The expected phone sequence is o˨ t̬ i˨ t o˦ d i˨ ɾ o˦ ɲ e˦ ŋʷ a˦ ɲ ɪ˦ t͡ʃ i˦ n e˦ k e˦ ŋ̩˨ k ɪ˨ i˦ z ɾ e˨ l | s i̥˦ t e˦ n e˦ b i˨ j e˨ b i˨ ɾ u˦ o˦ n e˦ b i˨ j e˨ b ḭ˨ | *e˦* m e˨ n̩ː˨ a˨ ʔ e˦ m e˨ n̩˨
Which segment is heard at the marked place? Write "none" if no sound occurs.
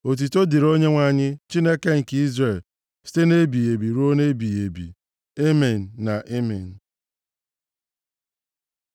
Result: e˦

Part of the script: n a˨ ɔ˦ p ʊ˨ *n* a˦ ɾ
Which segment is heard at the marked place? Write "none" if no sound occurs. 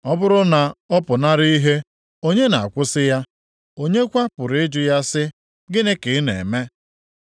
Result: n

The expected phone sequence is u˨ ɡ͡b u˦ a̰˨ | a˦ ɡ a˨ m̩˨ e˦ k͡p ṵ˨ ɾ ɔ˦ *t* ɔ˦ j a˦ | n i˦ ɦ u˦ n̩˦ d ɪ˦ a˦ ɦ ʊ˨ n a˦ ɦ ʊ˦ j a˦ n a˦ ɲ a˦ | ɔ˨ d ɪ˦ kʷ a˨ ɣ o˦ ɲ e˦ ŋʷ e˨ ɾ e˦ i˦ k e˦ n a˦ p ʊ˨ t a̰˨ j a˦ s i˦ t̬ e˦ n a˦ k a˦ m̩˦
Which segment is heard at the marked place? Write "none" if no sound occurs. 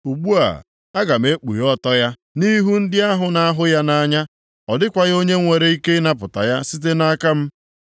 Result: t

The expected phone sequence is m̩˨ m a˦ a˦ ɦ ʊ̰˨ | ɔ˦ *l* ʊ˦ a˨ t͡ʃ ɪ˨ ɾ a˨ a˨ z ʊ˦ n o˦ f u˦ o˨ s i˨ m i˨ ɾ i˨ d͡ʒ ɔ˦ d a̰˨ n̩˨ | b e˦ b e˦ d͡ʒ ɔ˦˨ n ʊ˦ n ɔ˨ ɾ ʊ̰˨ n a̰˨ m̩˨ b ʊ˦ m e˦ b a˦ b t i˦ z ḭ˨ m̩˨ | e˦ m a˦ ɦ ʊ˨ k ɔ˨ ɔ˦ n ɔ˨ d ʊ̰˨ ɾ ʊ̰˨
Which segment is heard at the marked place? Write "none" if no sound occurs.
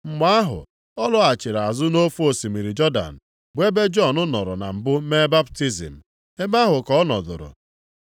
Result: l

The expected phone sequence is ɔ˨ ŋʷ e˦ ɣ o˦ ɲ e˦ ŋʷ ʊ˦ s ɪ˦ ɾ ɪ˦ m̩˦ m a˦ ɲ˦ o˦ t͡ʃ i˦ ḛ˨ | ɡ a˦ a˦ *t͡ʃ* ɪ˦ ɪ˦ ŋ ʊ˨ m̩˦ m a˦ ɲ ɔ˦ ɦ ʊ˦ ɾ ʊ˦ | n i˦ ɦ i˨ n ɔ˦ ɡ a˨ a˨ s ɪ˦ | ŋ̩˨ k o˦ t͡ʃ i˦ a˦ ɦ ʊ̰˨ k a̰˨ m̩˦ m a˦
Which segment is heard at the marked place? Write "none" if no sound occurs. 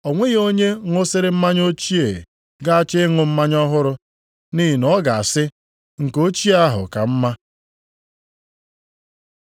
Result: t͡ʃ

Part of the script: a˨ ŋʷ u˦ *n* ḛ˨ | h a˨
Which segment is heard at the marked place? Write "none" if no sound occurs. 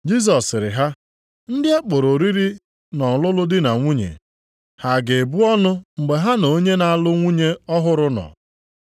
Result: ɲ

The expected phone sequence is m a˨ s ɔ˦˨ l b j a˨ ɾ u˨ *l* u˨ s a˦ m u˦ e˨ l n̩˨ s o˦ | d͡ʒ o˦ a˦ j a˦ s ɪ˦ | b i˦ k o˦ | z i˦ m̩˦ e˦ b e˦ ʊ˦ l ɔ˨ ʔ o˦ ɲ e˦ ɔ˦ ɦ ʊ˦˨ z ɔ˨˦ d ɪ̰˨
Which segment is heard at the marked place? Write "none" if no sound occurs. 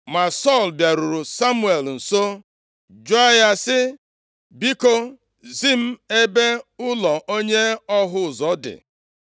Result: ɾ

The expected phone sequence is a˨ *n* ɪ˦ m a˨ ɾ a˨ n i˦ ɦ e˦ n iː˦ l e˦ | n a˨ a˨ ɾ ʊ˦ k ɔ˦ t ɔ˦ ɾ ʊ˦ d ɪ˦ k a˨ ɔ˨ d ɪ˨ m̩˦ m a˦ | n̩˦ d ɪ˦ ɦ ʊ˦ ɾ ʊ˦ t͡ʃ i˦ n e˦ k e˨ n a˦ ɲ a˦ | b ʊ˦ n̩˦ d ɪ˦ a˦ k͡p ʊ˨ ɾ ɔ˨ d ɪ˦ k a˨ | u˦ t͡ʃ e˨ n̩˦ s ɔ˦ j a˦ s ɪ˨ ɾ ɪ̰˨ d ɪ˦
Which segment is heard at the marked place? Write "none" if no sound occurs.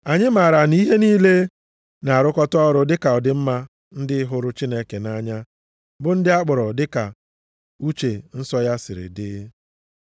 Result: ɲ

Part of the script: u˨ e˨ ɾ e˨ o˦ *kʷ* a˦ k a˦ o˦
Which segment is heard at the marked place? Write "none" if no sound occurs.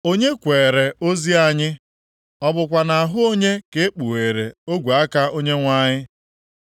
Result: ɡʷ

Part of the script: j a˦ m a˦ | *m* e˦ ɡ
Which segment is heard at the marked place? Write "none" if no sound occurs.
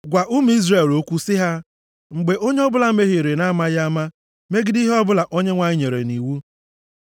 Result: m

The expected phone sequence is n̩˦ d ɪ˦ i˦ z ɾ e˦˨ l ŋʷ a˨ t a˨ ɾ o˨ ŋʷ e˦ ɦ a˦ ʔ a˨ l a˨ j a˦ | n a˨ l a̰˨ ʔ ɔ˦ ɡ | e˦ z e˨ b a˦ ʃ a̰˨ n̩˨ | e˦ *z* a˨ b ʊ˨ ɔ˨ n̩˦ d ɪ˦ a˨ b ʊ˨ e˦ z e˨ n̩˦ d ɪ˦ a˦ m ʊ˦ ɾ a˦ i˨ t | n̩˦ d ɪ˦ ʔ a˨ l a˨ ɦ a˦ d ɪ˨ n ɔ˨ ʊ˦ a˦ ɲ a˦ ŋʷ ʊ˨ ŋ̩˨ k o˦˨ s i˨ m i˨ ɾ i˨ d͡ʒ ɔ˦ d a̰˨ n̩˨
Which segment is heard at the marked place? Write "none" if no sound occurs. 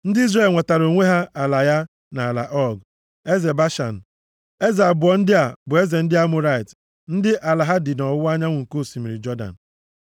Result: z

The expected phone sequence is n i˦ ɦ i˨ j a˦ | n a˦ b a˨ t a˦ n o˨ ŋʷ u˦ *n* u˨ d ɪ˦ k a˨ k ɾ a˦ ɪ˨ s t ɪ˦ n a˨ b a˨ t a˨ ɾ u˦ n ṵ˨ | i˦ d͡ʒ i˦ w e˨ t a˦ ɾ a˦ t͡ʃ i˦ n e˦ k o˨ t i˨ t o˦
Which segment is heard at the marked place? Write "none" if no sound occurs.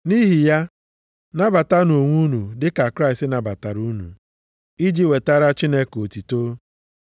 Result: n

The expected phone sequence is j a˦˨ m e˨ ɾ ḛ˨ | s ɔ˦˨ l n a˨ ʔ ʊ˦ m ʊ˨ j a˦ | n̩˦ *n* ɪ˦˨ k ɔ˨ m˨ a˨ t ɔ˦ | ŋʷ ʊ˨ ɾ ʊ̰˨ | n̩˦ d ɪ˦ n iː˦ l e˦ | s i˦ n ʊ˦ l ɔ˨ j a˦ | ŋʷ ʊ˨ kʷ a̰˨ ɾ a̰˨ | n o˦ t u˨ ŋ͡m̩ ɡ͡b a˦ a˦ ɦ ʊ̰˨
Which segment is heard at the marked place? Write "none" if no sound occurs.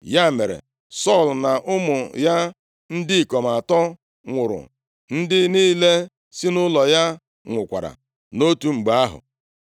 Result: d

